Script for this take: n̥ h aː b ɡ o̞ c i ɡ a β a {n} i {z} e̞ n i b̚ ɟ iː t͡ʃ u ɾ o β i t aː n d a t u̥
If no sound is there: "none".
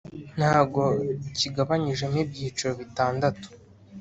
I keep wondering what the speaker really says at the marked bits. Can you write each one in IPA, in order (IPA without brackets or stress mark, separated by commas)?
ɲ, ʒ